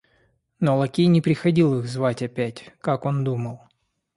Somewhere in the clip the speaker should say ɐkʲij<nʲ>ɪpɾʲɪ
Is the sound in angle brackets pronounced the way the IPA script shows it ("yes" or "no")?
yes